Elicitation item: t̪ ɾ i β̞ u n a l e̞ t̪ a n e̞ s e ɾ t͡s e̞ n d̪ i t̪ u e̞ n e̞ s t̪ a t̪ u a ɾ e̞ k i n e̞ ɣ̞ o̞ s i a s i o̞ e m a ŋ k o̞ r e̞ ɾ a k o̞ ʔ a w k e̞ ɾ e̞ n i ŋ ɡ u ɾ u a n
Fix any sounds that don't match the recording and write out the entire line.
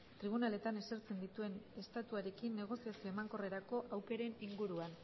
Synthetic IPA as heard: t̪ ɾ i β̞ u n a l e̞ t̪ a n e̞ s e ɾ t͡s e̞ n d̪ i t̪ u e̞ n e̞ s t̪ a t̪ u a ɾ e̞ k i nː e̞ ɣ̞ o̞ s i a s i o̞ e m a ŋ k o̞ r e̞ ɾ a k o̞ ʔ a w k e̞ ɾ e̞ n i ŋ ɡ u ɾ u a n